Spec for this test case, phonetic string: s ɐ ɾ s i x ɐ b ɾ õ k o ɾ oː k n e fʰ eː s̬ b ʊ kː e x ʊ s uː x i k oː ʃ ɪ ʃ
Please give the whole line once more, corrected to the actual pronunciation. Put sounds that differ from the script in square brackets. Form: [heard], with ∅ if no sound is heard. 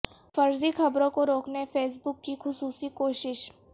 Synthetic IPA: [f] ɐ ɾ [z] i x ɐ b ɾ õ k o ɾ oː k n e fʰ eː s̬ b ʊ kː [i] x ʊ s uː [s] i k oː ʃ ɪ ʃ